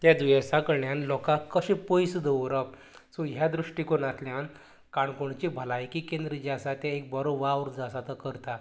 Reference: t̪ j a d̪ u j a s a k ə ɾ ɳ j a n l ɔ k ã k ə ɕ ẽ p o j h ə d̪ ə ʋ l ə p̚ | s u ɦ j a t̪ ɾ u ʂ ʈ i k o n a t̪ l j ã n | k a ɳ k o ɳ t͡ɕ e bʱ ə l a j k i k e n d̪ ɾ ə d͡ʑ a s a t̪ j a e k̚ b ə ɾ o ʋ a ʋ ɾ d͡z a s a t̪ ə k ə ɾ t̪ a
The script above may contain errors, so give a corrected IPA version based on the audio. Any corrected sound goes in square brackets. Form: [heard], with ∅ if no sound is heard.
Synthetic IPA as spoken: t̪ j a d̪ u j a s a k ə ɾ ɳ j a n l ɔ k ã k ə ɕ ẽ p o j [s] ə d̪ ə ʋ [ɾ] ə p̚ | s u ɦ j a [d̪] ɾ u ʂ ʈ i k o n a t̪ l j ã n | k a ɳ k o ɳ t͡ɕ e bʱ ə l a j k i k e n d̪ ɾ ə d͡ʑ a s a t̪ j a e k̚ b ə ɾ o ʋ a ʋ ɾ d͡z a s a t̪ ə k ə ɾ t̪ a